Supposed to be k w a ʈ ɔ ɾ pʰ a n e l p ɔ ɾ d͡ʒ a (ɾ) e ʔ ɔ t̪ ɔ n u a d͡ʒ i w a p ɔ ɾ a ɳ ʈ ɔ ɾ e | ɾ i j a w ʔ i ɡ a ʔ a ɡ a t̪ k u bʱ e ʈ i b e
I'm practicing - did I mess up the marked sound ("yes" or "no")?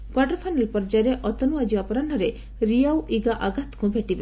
no